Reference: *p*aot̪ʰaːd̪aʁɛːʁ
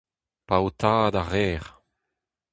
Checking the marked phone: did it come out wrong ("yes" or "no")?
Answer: no